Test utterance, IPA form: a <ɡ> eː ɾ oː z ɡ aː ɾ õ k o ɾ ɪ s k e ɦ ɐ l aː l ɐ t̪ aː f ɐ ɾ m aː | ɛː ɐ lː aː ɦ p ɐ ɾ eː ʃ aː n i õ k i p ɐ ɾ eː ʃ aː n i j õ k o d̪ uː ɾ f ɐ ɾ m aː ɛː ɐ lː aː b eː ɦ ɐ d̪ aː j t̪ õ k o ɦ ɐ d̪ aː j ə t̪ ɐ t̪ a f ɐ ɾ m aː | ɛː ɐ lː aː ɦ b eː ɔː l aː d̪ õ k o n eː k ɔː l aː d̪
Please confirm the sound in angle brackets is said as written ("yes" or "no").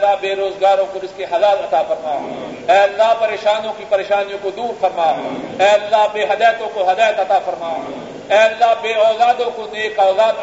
no